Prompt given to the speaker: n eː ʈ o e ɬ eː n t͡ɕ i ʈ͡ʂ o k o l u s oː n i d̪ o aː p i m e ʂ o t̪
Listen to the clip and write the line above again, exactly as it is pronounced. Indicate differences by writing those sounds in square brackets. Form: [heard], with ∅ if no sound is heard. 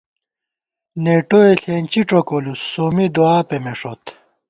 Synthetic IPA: n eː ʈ o e ɬ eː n t͡ɕ i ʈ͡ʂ o k o l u s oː [m] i d̪ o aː p [e] m e ʂ o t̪